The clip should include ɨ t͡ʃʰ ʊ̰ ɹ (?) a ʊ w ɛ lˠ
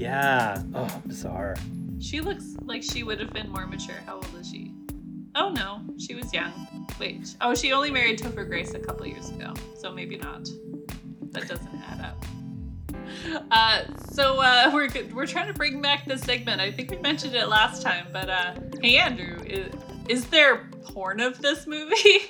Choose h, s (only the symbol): h